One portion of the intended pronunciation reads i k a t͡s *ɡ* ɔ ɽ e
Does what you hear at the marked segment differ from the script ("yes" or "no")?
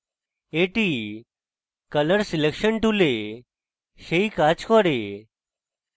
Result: yes